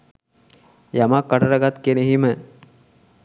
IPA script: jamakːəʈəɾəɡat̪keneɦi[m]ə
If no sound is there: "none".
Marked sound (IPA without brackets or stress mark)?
m